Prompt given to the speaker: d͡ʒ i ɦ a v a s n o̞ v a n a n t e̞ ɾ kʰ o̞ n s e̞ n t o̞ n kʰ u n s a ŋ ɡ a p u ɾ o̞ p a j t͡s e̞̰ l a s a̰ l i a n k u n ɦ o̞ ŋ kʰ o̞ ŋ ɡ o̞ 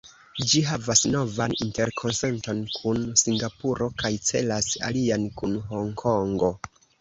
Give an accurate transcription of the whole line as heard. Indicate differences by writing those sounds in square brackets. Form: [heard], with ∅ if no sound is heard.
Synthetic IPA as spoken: d͡ʒ i ɦ a v a s n o̞ v a n [i] n t e̞ ɾ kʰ o̞ n s e̞ n t o̞ n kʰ u n s [i] ŋ ɡ a p u ɾ o̞ [k] a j t͡s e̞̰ l a s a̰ l i a n k u n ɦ o̞ ŋ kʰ o̞ ŋ ɡ o̞